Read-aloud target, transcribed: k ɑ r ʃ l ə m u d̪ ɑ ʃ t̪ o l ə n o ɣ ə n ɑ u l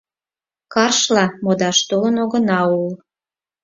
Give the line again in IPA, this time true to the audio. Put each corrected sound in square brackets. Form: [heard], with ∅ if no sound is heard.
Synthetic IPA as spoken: k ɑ r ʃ l [ɑ] m [o] d̪ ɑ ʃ t̪ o l ə n o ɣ ə n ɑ u l